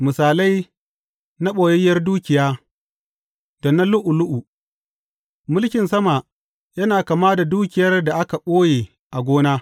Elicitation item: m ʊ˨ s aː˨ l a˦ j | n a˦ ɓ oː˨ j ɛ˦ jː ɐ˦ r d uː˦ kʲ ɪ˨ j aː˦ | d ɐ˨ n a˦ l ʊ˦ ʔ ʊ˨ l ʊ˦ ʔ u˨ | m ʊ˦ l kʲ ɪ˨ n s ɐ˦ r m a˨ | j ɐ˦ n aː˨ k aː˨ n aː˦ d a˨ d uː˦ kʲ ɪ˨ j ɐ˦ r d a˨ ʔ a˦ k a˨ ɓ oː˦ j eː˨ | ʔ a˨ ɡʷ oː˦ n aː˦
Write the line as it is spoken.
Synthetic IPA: m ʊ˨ s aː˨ l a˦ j | n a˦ ɓ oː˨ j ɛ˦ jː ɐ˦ r d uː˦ kʲ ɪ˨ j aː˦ | d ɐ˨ n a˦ l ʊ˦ ʔ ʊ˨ l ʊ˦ ʔ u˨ | m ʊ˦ l kʲ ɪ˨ n s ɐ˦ m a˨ | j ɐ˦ n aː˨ k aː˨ m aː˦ d a˨ d uː˦ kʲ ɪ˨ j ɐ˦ r d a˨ ʔ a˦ k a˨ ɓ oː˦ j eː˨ | ʔ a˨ ɡʷ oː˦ n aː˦